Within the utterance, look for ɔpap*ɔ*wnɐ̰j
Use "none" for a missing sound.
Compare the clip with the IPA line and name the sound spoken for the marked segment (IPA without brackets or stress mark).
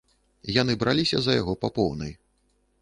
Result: ɔ